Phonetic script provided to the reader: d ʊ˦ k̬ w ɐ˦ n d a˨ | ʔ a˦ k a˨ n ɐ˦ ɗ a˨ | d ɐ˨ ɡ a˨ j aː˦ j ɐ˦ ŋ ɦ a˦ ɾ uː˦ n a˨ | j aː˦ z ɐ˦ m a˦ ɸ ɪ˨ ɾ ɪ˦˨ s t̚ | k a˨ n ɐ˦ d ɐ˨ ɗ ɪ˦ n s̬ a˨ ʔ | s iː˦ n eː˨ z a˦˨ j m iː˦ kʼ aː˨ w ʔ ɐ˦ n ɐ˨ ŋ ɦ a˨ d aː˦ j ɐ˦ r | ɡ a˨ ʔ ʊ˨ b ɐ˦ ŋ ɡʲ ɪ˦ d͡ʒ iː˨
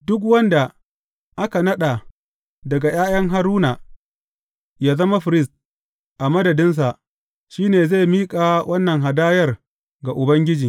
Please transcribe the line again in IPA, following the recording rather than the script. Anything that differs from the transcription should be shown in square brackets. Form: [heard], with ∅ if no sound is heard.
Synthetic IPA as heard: d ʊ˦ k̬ w ɐ˦ n d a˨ | ʔ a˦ k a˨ n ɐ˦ ɗ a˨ | d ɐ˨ ɡ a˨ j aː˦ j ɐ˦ ŋ ɦ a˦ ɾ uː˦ n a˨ | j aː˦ z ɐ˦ m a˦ ɸ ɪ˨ ɾ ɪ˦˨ s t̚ | [ʔ] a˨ [m] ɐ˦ d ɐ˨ [d] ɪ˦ n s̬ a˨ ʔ | [ʃ] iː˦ n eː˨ z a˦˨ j m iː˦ kʼ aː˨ w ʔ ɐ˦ [nː] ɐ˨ ŋ ɦ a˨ d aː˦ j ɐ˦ r | ɡ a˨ ʔ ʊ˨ b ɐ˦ ŋ ɡʲ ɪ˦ d͡ʒ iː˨